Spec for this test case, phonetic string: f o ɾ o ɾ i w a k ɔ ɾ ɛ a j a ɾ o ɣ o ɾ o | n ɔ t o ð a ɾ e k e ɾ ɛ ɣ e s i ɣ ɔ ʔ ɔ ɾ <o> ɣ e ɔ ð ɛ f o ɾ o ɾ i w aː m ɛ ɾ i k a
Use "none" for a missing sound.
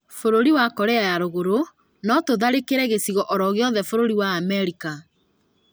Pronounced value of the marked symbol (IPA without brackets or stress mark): ɔ